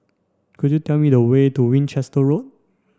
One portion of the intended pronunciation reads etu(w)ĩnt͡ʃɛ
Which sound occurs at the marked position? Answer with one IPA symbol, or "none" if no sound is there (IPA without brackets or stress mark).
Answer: w